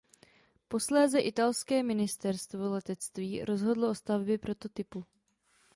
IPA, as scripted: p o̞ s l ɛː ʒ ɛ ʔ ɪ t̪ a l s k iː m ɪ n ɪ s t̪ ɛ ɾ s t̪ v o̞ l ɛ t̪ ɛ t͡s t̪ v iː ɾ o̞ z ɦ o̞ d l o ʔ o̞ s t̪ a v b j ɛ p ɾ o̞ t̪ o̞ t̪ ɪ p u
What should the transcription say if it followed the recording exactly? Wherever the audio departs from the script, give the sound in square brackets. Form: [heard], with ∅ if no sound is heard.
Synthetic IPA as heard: p o̞ s l ɛː [z] ɛ ʔ ɪ t̪ a l s k [ɛː] m ɪ n ɪ s t̪ ɛ ɾ s t̪ v o̞ l ɛ t̪ ɛ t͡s t̪ v iː ɾ o̞ z ɦ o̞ d l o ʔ o̞ s t̪ a v b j ɛ p ɾ o̞ t̪ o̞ t̪ ɪ p u